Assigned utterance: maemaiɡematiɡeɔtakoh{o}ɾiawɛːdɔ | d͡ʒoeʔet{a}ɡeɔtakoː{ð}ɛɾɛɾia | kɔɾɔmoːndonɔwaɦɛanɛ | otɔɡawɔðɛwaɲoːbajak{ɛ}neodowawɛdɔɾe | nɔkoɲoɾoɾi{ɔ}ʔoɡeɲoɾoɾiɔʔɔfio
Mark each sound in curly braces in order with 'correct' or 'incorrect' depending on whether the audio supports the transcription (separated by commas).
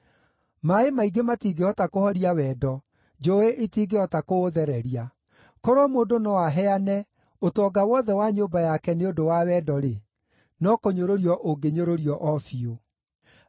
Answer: incorrect, incorrect, correct, correct, correct